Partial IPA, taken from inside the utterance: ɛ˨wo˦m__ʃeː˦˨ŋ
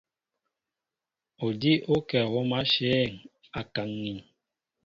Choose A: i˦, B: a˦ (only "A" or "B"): B